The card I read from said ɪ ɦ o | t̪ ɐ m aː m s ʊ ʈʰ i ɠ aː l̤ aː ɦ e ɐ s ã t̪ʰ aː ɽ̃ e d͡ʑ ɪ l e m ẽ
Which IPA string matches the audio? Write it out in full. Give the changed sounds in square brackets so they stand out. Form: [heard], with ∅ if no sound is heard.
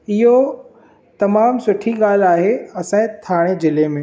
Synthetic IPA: ɪ ɦ o | t̪ ɐ m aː m s ʊ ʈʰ i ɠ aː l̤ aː ɦ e ɐ s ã t̪ʰ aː ɽ̃ e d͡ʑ ɪ l e m ẽ